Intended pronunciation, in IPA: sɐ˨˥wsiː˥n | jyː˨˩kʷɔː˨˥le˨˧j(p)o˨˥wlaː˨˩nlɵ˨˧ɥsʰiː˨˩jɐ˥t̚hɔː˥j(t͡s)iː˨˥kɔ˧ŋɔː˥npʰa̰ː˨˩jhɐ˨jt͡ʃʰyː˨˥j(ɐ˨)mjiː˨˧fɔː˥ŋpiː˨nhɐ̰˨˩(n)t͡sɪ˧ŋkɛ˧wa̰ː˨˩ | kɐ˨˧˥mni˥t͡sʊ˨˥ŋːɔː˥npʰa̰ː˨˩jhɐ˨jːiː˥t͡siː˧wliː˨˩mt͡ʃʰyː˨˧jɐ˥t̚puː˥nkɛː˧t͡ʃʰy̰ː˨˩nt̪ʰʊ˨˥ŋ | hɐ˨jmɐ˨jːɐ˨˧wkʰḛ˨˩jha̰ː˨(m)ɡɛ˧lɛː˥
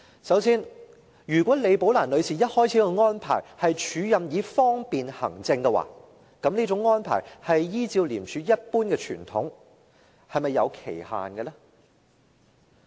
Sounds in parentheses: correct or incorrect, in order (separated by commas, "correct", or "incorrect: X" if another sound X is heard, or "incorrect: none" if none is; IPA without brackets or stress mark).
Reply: correct, incorrect: t͡sʰ, correct, incorrect: ŋ, incorrect: n